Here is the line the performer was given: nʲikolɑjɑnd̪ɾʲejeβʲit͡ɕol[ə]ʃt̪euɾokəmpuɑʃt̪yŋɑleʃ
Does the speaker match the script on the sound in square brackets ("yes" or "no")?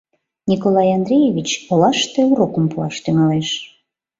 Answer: no